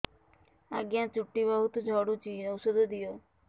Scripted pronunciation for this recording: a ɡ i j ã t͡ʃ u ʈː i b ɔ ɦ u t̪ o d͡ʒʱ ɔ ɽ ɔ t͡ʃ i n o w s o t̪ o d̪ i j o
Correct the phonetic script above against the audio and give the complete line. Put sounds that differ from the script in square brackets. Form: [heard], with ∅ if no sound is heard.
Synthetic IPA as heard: a ɡ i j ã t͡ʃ u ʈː i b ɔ ɦ u t̪ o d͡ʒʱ ɔ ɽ [u] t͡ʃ i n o w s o [d̪] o d̪ i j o

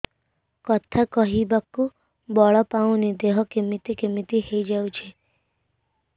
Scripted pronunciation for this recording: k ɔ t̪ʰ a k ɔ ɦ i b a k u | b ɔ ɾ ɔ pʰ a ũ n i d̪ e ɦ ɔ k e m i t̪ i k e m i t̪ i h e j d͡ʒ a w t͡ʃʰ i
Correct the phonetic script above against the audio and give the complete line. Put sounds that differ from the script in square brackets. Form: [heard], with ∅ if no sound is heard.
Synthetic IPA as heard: k ɔ t̪ʰ a k ɔ ɦ i b a k u | b ɔ [ɭ] ɔ [p] a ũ n i d̪ e ɦ ɔ k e m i t̪ i k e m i t̪ i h e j d͡ʒ a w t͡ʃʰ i

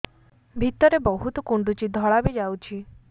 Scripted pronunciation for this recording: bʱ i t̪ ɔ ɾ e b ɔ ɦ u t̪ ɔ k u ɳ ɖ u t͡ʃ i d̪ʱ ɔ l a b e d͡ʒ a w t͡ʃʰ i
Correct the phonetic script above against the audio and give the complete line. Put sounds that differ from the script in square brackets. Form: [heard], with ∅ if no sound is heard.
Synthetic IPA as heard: bʱ i t̪ ɔ ɾ e b ɔ ɦ u t̪ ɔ k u ɳ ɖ u t͡ʃ i d̪ʱ ɔ [ɭ] a b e d͡ʒ a w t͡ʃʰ i

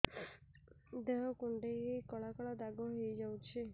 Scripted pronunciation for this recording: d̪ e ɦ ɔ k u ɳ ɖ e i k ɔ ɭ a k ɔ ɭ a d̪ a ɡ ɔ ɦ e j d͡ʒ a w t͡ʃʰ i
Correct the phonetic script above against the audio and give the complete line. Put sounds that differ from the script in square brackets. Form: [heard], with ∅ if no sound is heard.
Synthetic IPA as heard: d̪ e ɦ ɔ k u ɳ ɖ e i k ɔ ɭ a k ɔ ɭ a d̪ a ɡ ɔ ɦ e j d͡ʒ a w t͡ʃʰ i

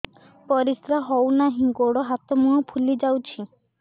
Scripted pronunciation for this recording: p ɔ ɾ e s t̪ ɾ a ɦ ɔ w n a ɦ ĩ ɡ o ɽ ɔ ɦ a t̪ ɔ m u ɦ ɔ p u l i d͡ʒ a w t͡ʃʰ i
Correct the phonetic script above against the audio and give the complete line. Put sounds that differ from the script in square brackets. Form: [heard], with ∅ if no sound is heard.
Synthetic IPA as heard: p ɔ ɾ [i] s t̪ ɾ a ɦ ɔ w n a ɦ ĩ ɡ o ɽ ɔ ɦ a t̪ ɔ m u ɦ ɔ [pʰ] u l i d͡ʒ a w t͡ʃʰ i

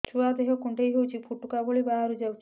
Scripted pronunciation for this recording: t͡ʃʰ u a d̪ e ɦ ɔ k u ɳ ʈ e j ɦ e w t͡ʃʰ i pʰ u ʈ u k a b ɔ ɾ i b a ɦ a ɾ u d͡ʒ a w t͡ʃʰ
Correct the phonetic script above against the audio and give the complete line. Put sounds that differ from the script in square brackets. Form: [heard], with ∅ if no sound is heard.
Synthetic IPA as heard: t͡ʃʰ u a d̪ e ɦ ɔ k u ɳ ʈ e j ɦ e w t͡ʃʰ i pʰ u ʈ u k a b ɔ [ɭ] i b a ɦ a ɾ u d͡ʒ a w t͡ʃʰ

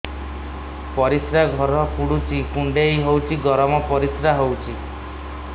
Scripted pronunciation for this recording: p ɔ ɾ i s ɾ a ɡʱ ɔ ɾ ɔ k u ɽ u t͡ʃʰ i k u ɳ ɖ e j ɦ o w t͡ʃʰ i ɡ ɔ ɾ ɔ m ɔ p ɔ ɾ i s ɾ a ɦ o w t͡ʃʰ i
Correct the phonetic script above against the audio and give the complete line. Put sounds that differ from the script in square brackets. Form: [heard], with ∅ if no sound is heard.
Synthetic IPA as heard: p ɔ ɾ i s ɾ a ɡʱ ɔ ɾ ɔ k u ɽ u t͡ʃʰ i k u ɳ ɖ e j ɦ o w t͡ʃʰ i ɡ ɔ ɾ ɔ m ɔ p ɔ ɾ i s ɾ a ɦ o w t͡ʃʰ i

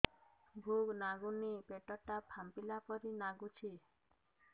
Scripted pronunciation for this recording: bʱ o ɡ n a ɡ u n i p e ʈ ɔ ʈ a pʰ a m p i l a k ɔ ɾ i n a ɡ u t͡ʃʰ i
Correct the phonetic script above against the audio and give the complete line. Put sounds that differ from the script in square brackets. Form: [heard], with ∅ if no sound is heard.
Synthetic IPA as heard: bʱ [u] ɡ n a ɡ u n i p e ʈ ɔ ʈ a pʰ a m p i l a [p] ɔ ɾ i n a ɡ u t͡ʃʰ i

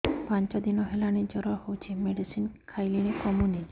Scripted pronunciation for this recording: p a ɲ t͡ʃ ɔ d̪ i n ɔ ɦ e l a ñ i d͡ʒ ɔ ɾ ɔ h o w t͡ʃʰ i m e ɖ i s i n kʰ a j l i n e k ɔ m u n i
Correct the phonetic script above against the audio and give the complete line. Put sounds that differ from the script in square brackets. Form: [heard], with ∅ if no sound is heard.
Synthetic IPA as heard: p a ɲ t͡ʃ ɔ d̪ i n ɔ ɦ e l a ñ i d͡ʒ ɔ ɾ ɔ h o w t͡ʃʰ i m e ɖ i s i n kʰ a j l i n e k ɔ m u n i

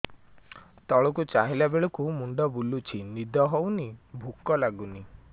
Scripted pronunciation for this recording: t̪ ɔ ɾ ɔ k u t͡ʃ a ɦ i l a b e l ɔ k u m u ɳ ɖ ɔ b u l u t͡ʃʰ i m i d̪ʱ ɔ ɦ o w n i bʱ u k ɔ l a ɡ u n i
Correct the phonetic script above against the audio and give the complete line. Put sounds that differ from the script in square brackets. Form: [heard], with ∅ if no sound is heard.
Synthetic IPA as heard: t̪ ɔ [ɭ] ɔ k u t͡ʃ a ɦ i l a b e [ɭ] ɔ k u m u ɳ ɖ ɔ b u l u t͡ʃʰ i [n] i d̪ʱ ɔ ɦ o w n i bʱ u k ɔ l a ɡ u n i

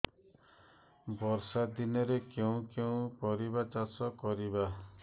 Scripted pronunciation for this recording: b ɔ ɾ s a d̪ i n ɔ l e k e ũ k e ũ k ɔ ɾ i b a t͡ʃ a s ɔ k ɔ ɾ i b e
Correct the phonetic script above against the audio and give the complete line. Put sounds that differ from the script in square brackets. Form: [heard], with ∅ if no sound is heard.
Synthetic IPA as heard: b ɔ ɾ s a d̪ i n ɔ [ɾ] e k e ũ k e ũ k ɔ ɾ i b a t͡ʃ a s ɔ k ɔ ɾ i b [a]

